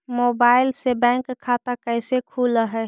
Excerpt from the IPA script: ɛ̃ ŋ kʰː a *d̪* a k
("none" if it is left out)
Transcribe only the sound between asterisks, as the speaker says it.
t̪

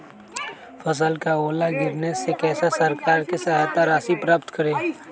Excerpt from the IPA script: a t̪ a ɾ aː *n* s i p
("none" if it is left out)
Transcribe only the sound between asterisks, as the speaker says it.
none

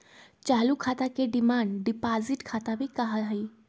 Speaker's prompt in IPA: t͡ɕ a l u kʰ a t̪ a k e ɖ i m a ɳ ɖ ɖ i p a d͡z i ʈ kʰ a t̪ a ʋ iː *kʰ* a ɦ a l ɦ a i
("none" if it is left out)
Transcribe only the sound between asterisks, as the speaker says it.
k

